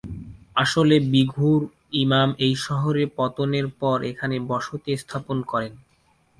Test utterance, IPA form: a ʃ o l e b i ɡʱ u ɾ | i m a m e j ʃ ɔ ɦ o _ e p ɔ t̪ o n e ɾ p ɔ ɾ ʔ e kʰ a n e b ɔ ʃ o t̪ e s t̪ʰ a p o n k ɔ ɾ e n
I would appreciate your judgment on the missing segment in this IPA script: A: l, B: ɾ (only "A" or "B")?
B